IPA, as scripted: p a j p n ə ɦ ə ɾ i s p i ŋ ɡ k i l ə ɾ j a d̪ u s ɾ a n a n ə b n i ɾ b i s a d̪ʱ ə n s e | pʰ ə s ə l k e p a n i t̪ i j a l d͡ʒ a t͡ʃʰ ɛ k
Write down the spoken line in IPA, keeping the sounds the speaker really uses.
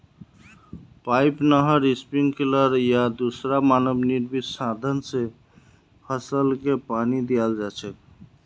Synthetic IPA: p a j p n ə ɦ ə ɾ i s p i ŋ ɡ k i l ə ɾ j a d̪ u s ɾ a m a n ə b n i ɾ b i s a d̪ʱ ə n s e | pʰ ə s ə l k e p a n i d̪ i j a l d͡ʒ a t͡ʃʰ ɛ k